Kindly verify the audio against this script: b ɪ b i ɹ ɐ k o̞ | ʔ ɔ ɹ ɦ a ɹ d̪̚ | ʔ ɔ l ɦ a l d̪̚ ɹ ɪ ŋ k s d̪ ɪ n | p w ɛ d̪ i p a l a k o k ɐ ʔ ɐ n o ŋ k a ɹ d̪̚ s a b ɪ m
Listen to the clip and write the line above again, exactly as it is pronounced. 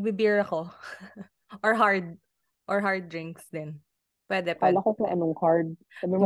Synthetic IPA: b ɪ b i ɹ ɐ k o̞ | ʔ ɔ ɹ ɦ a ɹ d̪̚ | ʔ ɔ ɹ ɦ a ɹ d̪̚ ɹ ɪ ŋ k s d̪ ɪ n | p w ɛ d̪ ɛ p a l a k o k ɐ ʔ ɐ n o ŋ k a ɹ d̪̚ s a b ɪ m